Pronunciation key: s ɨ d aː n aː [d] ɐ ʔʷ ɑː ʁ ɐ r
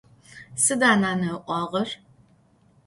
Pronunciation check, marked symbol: incorrect: n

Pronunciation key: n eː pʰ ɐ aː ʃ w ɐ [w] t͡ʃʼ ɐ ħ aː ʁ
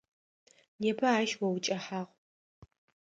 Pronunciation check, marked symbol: correct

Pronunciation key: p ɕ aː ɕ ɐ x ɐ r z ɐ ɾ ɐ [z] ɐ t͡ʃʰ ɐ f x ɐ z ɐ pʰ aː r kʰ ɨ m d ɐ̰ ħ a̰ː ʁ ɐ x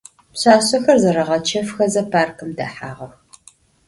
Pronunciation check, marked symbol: incorrect: ʁ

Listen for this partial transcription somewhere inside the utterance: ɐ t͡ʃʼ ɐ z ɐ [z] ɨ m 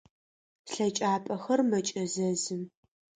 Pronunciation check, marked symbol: correct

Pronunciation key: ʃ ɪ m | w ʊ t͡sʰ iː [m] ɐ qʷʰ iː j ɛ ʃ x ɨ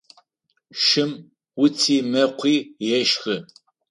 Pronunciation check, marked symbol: correct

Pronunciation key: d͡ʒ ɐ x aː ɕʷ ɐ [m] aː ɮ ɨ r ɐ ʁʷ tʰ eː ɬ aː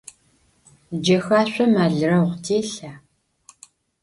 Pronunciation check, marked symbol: correct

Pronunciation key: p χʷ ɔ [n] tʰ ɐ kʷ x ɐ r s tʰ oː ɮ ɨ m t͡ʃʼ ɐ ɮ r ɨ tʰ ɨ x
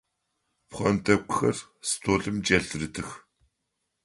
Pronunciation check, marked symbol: correct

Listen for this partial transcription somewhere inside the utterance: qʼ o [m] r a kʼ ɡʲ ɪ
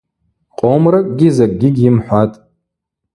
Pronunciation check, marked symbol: correct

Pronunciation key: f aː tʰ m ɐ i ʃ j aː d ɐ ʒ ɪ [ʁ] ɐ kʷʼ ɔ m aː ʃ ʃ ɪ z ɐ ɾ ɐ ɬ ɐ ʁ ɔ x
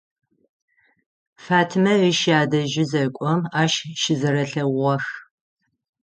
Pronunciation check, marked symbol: incorrect: z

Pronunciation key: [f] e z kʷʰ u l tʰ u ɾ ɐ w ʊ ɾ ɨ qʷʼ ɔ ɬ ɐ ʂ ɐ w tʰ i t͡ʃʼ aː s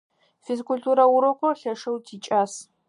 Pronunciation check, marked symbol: correct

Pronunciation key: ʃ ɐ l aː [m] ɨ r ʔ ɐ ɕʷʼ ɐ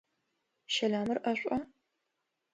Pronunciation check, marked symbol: correct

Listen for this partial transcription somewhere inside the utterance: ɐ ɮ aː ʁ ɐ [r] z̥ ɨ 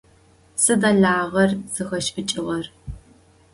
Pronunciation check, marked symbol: correct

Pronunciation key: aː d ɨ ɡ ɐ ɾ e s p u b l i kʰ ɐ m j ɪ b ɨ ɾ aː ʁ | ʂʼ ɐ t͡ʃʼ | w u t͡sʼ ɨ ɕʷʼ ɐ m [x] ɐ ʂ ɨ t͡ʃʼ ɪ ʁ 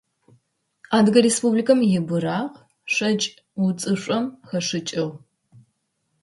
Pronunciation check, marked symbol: correct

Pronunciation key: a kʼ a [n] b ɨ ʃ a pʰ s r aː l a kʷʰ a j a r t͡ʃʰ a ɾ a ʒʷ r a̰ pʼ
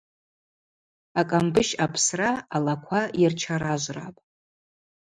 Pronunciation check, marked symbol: incorrect: m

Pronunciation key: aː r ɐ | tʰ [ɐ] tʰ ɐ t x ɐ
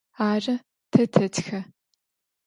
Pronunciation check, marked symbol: correct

